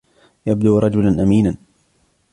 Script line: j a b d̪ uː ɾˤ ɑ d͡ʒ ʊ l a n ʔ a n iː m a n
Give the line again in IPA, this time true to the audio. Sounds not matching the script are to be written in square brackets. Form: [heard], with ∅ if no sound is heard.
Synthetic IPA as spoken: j a b d̪ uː ɾˤ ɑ d͡ʒ ʊ l a n ʔ a [m] iː [n] a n